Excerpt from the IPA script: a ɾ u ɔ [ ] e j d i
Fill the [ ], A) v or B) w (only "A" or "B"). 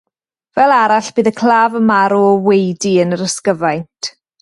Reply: B